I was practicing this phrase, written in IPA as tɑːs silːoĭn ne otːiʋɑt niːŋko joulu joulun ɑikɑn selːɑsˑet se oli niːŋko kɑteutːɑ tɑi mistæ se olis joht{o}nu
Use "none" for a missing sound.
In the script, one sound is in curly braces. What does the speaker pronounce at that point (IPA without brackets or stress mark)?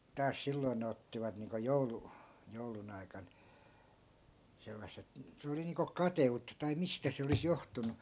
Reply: u